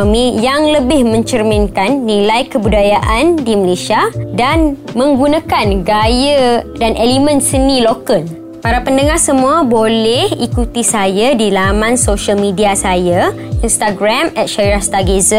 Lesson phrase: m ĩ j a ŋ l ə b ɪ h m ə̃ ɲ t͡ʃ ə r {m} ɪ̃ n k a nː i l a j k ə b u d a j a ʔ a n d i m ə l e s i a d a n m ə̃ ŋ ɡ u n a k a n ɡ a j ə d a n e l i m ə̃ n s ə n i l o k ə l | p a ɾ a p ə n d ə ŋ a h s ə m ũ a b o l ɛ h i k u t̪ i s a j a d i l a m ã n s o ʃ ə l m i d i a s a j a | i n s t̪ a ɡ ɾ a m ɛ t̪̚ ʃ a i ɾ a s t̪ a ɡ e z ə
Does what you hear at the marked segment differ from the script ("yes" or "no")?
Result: no